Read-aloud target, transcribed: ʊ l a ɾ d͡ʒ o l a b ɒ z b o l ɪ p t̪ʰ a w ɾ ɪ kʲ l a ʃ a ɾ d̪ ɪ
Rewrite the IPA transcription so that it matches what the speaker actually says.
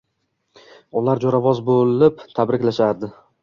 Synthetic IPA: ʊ l a ɾ d͡ʒ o ɾ a v ɒ z b o l ɪ p t̪ʰ a b ɾ ɪ kʲ l a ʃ a ɾ d̪ ɪ